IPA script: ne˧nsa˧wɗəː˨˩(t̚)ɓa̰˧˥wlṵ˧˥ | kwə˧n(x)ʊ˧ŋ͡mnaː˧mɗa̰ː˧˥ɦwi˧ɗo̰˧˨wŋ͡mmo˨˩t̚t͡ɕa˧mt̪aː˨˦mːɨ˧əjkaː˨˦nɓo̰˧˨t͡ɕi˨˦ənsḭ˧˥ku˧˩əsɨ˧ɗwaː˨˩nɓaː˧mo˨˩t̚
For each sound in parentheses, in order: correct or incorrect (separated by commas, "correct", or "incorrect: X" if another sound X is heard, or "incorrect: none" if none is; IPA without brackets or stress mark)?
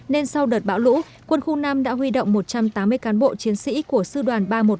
correct, correct